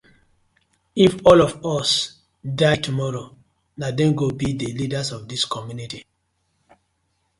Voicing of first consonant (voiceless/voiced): voiceless